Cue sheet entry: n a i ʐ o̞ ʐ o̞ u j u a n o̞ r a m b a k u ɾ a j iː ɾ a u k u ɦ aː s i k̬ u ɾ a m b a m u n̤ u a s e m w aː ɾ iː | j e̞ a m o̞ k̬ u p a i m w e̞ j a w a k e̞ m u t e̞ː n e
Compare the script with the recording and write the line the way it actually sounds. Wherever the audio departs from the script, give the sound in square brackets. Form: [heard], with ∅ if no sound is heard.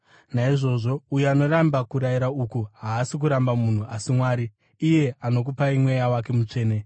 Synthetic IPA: n a i ʐ o̞ ʐ o̞ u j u a n o̞ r a m b a k u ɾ a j [i] ɾ a u k u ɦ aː s i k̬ u ɾ a m b a m u n̤ u a s [i] m w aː ɾ iː | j e̞ a [n] o̞ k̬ u p a i m w e̞ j a w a k e̞ m u [t͡ʂ] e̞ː n e